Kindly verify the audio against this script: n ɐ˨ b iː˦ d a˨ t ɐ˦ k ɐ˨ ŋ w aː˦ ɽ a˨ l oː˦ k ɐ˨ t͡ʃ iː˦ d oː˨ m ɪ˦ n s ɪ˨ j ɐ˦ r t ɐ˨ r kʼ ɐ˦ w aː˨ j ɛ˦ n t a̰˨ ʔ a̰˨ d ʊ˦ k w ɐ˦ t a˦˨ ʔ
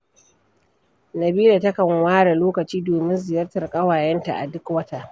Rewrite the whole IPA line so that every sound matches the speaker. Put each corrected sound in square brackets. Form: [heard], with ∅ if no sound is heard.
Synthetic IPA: n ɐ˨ b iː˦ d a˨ t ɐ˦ k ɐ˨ ŋ w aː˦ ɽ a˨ l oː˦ k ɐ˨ t͡ʃ iː˦ d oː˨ m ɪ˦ n [z] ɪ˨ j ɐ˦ r t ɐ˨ r kʼ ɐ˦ w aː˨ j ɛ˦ n t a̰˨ ʔ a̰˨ d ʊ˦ k w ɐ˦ t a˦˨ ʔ